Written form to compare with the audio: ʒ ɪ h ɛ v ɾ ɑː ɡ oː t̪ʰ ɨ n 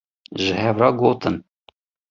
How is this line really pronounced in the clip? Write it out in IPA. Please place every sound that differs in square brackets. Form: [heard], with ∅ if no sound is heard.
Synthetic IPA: ʒ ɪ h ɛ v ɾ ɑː ɡ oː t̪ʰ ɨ n